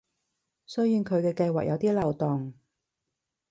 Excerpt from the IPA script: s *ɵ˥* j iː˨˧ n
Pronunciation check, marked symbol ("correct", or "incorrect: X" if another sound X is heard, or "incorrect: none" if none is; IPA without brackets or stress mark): correct